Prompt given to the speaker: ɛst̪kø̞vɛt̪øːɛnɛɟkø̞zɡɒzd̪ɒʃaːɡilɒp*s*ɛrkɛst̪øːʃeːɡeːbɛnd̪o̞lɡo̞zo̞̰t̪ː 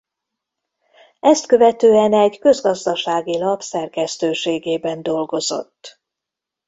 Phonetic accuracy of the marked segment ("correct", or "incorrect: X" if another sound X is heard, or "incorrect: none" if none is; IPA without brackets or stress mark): correct